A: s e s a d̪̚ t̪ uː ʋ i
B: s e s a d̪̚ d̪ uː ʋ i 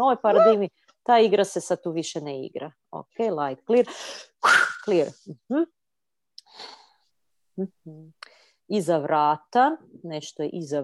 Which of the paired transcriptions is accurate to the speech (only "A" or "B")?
A